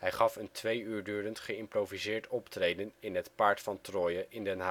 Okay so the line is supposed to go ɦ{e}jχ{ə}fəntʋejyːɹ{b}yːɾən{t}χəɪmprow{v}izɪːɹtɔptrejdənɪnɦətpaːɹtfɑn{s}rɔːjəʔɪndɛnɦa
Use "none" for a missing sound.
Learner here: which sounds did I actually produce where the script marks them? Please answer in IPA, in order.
ɛ, ɑ, d, t, v, t

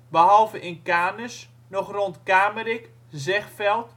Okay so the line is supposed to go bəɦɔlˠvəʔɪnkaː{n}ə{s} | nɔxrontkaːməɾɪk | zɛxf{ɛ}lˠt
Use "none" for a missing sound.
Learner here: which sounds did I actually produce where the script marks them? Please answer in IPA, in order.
n, s, ɛ

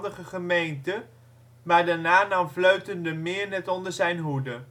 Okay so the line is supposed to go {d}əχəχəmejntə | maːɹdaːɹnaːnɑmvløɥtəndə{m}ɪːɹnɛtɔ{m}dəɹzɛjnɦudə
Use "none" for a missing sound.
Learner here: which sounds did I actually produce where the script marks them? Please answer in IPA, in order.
d, m, n

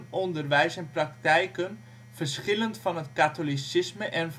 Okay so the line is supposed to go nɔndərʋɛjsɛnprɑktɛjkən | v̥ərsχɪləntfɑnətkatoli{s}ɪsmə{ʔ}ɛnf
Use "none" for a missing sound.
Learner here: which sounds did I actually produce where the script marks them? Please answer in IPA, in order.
s, ʔ

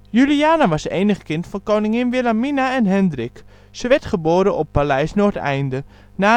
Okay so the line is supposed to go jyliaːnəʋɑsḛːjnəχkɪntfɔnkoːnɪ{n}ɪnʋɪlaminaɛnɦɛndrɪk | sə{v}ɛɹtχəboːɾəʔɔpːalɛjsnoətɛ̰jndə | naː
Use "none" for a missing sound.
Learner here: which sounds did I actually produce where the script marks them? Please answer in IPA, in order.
ŋ, ʋ

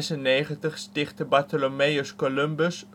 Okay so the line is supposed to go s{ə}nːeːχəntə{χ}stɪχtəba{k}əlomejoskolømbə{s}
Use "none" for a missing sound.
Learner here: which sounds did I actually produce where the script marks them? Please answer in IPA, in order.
ə, χ, t, s

